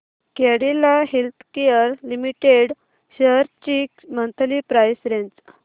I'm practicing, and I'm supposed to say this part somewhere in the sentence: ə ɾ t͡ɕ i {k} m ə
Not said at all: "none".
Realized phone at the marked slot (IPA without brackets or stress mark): k